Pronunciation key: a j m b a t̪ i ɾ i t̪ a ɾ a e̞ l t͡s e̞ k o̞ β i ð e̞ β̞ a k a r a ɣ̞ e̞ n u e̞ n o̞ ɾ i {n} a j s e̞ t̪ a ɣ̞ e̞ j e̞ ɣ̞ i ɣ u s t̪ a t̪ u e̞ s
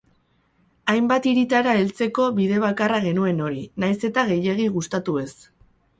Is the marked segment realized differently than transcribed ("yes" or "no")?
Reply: no